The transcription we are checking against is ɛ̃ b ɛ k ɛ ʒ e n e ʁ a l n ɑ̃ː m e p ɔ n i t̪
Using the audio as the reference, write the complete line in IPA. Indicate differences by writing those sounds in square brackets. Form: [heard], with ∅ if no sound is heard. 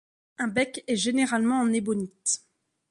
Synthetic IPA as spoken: ɛ̃ b ɛ k ɛ ʒ e n e ʁ a l [m] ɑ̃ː [n] e [b] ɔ n i t̪